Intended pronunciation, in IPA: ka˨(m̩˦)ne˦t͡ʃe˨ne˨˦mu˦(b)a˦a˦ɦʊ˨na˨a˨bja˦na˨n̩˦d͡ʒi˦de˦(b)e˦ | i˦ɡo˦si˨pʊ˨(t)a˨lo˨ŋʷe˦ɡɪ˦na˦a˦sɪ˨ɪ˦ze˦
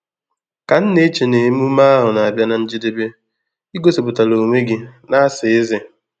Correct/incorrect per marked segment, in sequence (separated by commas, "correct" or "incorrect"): incorrect, incorrect, correct, correct